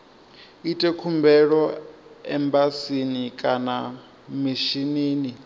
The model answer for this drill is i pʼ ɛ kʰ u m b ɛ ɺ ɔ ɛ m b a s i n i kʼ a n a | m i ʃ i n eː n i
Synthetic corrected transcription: i tʼ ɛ kʰ u m b ɛ ɺ ɔ ɛ m b a s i n i kʼ a n a | m i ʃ i n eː n i